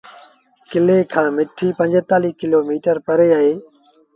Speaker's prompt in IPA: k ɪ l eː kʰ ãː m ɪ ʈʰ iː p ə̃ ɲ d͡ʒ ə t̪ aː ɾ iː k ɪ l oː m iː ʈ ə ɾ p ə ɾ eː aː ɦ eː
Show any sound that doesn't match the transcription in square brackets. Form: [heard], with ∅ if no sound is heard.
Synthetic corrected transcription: k ɪ l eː kʰ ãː m ɪ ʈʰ iː p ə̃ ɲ d͡ʒ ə t̪ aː [l] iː k ɪ l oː m iː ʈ ə ɾ p ə ɾ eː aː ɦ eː